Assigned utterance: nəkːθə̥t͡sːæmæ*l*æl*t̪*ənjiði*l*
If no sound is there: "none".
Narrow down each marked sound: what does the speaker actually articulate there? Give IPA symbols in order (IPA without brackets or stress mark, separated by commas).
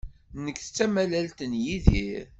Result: l, t̪, ɾ